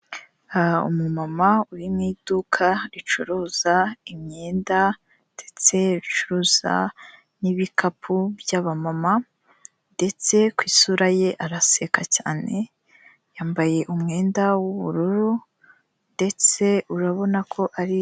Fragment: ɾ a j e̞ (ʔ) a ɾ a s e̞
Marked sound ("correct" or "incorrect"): correct